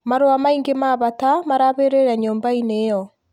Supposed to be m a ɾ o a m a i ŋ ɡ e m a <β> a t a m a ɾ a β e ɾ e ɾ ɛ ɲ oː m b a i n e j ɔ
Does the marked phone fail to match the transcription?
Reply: no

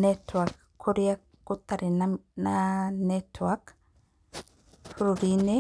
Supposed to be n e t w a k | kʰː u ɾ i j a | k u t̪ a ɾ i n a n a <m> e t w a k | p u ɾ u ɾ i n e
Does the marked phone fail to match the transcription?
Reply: yes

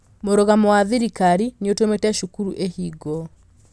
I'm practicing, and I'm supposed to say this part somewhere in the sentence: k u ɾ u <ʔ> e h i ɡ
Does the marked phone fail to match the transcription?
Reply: no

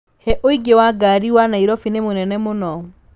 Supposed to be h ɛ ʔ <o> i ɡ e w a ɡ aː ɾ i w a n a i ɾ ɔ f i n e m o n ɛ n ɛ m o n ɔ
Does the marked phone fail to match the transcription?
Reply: no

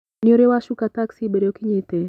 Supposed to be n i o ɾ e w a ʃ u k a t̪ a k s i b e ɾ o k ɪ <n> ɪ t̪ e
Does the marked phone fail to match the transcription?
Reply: yes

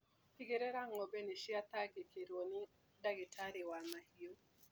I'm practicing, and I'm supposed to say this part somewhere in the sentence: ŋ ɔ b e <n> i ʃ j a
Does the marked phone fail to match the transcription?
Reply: no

